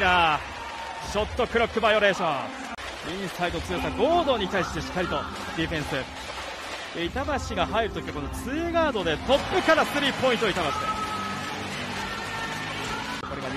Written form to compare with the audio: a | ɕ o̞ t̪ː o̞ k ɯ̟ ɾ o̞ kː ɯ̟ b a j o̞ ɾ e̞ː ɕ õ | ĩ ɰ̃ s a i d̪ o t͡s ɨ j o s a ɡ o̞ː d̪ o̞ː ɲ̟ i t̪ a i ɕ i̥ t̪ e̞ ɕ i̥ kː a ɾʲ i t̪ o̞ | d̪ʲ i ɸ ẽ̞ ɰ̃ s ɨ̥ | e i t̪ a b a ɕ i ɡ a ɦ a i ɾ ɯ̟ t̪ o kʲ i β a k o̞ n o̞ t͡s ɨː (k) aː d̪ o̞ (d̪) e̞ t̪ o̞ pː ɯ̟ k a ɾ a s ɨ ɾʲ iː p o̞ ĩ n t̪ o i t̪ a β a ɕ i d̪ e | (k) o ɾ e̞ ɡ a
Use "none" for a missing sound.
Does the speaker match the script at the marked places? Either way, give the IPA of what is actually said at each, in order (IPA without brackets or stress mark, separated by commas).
ɡ, d̪, k